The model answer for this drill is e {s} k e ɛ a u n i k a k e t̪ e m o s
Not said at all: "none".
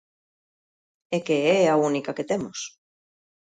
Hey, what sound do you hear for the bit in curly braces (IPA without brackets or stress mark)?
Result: none